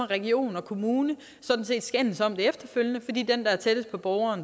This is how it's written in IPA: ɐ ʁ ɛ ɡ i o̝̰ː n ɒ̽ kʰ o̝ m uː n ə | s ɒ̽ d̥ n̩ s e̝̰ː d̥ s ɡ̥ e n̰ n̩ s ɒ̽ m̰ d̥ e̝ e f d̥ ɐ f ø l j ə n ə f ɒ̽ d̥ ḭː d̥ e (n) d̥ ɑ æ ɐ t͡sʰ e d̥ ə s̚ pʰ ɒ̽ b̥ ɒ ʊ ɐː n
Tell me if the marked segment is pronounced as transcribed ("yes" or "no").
yes